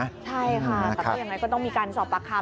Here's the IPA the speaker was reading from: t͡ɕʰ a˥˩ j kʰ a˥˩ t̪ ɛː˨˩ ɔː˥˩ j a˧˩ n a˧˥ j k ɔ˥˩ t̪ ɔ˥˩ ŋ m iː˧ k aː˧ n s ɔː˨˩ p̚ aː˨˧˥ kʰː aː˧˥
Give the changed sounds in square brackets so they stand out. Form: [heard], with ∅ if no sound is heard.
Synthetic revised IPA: t͡ɕʰ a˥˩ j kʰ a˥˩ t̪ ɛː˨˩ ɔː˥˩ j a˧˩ [ŋ] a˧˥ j k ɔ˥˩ t̪ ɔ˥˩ ŋ m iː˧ k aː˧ n s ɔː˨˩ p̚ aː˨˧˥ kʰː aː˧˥